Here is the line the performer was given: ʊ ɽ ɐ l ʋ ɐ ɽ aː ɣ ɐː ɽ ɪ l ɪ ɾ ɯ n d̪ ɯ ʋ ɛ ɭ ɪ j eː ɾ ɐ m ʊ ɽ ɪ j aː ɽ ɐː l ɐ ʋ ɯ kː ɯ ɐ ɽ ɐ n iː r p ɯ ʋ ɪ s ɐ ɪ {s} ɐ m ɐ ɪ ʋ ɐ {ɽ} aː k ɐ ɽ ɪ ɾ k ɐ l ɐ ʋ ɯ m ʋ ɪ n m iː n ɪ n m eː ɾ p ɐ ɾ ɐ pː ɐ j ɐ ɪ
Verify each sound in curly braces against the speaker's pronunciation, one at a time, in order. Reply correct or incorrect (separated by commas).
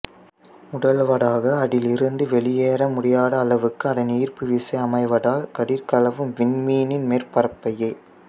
incorrect, correct